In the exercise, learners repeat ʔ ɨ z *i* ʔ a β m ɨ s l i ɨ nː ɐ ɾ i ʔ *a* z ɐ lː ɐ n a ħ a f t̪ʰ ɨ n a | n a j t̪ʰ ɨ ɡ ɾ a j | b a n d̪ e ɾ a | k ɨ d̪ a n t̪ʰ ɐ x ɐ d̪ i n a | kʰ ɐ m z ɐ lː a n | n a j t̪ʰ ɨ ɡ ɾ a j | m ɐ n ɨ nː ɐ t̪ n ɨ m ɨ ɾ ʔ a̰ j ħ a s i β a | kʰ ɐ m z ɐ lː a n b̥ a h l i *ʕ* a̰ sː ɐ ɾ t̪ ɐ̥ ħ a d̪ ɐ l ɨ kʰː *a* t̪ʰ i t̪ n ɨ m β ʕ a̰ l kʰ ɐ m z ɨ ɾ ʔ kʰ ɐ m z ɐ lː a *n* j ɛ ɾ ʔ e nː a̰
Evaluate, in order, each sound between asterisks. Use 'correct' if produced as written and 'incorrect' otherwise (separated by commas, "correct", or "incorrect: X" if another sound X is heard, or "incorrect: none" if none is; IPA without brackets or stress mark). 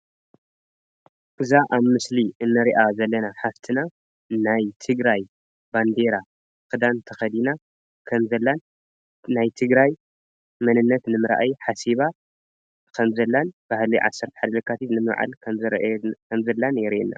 incorrect: a, correct, correct, correct, correct